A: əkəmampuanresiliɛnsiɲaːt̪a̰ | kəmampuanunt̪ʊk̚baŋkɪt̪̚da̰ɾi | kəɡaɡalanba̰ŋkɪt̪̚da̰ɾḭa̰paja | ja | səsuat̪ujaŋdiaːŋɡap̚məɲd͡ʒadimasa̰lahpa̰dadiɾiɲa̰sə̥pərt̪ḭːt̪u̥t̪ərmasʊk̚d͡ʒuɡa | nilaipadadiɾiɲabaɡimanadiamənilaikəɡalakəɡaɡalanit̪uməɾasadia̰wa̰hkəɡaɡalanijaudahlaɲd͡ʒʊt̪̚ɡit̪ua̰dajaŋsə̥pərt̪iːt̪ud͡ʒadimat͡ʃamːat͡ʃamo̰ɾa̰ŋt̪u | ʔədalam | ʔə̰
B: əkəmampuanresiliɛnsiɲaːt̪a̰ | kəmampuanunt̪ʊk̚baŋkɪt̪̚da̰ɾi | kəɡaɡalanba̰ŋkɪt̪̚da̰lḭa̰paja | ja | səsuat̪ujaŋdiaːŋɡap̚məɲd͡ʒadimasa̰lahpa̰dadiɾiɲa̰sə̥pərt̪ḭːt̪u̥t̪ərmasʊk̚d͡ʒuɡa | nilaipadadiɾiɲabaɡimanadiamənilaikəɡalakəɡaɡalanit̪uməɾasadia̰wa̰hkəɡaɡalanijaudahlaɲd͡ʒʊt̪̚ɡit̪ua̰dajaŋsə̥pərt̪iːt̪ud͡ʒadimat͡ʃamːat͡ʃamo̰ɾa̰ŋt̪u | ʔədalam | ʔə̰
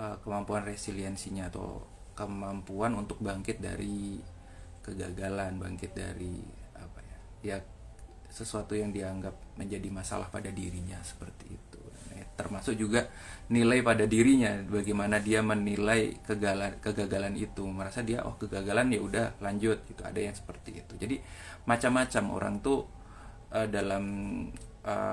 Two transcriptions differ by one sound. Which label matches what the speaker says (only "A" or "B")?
A